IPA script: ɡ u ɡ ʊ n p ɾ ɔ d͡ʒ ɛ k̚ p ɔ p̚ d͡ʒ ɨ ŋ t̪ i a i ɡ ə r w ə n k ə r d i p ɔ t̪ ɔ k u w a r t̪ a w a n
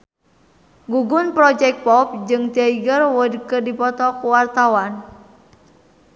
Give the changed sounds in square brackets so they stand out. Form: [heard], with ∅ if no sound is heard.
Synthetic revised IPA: ɡ u ɡ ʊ n p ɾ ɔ d͡ʒ ɛ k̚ p ɔ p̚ d͡ʒ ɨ ŋ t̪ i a i ɡ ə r w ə [d] k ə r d i p ɔ t̪ ɔ k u w a r t̪ a w a n